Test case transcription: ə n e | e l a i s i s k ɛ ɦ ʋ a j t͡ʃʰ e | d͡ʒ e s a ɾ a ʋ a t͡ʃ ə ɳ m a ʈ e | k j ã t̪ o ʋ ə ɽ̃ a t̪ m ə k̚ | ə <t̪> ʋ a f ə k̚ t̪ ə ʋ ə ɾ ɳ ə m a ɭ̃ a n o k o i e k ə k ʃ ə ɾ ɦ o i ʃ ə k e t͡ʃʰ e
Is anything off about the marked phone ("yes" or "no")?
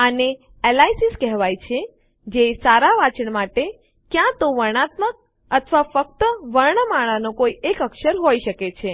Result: yes